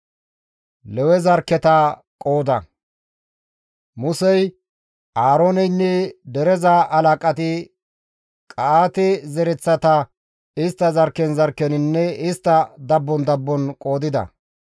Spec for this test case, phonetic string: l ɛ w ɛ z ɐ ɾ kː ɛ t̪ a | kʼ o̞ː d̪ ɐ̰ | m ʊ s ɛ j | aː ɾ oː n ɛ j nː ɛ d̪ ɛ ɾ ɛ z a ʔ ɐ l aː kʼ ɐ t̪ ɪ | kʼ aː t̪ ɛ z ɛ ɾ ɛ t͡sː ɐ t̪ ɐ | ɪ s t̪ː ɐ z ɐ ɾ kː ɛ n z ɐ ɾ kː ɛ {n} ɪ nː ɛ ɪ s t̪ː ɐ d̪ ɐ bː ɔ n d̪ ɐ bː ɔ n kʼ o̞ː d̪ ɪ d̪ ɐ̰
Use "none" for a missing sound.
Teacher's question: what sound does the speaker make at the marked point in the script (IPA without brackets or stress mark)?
n